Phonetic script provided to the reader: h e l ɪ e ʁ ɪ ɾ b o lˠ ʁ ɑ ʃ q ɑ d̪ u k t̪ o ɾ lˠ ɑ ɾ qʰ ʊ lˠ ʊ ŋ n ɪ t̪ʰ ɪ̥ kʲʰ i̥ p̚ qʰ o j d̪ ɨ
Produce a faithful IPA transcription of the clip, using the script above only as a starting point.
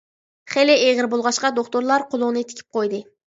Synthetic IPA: χ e l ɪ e ʁ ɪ ɾ b o lˠ ʁ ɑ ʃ q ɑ d̪ o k t̪ o ɾ lˠ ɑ ɾ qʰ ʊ lˠ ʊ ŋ n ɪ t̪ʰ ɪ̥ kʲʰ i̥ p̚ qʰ o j d̪ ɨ